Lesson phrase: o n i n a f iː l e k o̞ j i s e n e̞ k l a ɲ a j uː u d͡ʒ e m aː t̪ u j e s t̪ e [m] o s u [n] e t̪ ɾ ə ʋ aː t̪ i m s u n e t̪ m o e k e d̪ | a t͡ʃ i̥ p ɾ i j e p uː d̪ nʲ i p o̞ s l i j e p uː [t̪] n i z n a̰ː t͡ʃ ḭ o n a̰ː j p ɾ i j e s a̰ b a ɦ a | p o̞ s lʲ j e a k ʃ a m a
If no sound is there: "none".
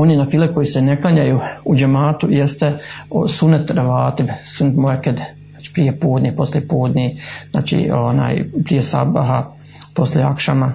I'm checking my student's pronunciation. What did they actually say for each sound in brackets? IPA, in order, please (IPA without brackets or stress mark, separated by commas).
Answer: none, n, d̪